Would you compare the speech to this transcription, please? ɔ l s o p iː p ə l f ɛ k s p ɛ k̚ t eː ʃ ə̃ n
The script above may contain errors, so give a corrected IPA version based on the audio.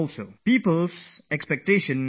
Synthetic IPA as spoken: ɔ l s o p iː p ə l s ɛ k s p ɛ k̚ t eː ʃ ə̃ n